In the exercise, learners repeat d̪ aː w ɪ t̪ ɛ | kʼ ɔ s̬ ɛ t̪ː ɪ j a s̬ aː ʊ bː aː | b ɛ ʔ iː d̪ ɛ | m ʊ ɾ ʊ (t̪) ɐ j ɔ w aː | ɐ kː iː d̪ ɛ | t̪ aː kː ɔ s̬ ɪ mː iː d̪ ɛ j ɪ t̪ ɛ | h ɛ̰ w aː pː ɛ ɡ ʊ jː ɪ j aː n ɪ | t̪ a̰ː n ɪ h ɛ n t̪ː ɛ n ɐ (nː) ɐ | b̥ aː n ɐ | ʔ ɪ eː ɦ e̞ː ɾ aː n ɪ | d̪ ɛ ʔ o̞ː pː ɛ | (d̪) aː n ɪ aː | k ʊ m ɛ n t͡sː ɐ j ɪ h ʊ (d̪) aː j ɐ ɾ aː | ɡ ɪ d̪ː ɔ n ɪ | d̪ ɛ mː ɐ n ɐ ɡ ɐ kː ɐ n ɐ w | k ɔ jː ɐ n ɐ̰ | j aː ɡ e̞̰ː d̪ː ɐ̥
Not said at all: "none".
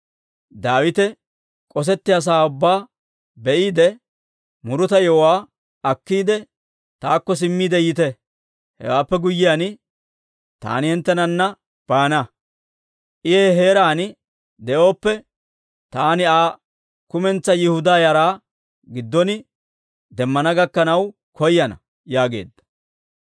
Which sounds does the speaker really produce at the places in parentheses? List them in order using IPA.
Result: t̪, nː, t̪, d̪

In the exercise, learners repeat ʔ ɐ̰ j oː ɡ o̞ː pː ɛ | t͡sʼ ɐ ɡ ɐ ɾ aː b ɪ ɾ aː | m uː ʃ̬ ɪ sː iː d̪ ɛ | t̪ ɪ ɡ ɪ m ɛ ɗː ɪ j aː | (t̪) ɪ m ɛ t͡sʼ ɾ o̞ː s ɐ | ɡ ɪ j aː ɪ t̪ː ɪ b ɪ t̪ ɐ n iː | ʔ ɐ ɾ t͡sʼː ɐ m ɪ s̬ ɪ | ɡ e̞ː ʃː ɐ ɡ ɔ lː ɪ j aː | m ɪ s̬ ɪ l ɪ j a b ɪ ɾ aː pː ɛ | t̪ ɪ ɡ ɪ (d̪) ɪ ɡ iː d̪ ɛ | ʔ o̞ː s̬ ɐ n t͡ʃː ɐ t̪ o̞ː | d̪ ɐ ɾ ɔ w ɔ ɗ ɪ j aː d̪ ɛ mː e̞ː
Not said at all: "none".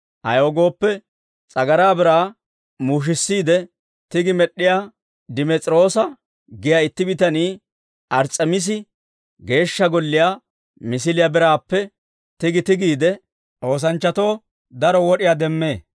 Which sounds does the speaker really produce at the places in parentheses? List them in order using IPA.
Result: d̪, t̪

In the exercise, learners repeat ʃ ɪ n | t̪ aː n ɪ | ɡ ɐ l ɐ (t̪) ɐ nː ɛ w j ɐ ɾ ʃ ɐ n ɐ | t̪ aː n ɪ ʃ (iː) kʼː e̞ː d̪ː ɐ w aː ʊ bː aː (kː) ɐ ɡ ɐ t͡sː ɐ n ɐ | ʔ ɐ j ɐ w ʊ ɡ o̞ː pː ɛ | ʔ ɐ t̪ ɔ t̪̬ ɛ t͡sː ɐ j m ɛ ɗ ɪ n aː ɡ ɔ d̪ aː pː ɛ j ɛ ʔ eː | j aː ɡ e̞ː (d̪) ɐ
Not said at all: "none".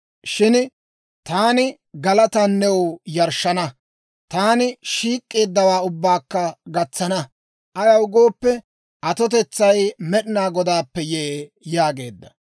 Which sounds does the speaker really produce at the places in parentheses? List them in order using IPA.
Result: t̪, iː, kː, d̪ː

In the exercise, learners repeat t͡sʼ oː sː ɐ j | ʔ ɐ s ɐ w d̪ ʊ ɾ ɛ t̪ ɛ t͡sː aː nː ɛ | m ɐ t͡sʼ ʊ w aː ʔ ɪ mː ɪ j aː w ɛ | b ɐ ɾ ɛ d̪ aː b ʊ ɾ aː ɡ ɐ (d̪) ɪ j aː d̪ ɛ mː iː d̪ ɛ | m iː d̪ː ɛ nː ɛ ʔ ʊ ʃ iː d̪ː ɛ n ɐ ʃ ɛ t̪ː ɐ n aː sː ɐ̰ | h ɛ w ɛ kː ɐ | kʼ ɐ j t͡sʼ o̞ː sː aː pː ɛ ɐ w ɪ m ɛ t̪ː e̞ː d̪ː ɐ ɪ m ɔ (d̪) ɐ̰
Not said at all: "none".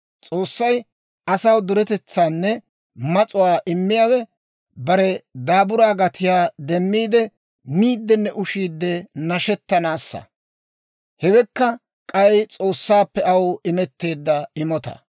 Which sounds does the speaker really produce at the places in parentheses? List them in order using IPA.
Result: t̪, t̪

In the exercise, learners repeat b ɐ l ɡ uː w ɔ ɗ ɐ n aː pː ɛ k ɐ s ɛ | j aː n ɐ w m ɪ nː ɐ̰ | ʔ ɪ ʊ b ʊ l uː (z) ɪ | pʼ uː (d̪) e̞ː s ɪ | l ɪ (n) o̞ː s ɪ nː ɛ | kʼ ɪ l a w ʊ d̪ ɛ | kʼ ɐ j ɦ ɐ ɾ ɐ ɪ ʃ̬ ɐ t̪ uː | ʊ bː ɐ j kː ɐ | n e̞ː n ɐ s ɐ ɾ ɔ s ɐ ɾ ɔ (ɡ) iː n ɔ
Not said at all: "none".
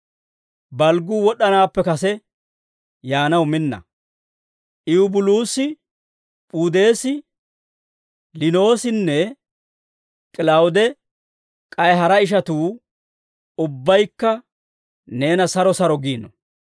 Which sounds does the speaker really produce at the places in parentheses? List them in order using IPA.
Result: s, d̪, n, ɡ

